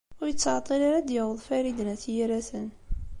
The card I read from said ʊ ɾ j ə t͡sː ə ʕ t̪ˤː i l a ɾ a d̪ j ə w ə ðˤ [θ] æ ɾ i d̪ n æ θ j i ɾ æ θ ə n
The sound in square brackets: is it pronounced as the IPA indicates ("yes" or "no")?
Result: no